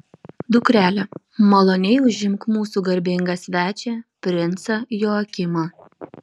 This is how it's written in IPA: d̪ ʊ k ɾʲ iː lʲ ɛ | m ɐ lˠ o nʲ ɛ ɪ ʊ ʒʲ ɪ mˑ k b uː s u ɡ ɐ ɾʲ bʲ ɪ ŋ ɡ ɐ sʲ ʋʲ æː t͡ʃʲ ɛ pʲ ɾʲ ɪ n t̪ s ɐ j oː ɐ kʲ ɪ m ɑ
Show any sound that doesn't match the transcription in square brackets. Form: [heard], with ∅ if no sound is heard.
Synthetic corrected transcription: d̪ ʊ k ɾʲ [æː] lʲ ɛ | m ɐ lˠ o nʲ ɛ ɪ ʊ ʒʲ ɪ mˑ k [m] uː s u ɡ ɐ ɾʲ bʲ ɪ ŋ ɡ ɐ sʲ ʋʲ æː t͡ʃʲ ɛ pʲ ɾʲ ɪ n t̪ s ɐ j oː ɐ kʲ ɪ m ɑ